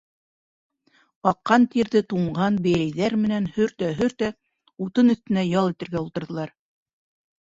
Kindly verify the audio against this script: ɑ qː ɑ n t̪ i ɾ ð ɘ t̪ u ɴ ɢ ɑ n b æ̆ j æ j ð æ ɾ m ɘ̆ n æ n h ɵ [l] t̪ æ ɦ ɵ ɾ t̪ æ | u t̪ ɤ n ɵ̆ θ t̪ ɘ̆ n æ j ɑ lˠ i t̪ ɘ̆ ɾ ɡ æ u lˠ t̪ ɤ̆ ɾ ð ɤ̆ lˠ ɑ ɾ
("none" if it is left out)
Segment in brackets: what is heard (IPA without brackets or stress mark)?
ɾ